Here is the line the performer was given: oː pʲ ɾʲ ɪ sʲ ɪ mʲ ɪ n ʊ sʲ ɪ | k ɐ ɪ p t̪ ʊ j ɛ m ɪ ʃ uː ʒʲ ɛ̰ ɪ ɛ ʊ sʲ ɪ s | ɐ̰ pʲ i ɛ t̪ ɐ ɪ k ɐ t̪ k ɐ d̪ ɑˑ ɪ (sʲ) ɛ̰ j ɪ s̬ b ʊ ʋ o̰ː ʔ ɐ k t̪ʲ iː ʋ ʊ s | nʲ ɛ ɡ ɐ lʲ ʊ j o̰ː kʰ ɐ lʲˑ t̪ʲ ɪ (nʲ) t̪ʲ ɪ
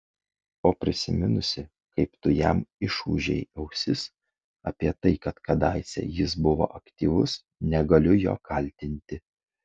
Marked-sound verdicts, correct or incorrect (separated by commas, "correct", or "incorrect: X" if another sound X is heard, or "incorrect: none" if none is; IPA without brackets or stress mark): correct, correct